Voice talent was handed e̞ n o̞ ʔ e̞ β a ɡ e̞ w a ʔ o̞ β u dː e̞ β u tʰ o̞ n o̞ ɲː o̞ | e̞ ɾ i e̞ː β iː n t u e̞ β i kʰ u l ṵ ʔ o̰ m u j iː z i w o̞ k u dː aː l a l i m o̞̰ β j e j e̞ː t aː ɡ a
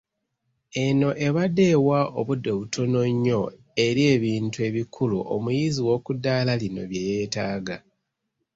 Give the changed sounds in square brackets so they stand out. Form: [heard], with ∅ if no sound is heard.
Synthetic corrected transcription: e̞ n o̞ ʔ e̞ β a [d] e̞ w a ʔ o̞ β u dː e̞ β u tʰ o̞ n o̞ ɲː o̞ | e̞ ɾ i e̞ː β iː n t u e̞ β i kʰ u l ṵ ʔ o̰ m u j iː z i w o̞ k u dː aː l a l i [n] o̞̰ β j e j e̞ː t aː ɡ a